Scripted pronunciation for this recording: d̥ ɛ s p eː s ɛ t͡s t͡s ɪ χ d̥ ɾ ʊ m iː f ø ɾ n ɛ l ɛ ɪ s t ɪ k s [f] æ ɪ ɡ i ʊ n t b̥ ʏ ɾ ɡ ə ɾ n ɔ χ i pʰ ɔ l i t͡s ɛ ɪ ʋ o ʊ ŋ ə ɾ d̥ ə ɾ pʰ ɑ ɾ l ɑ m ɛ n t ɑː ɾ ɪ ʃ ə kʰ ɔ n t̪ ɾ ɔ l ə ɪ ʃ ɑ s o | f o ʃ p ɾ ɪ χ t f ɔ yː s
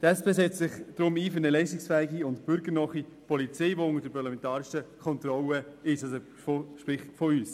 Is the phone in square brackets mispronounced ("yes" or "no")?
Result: no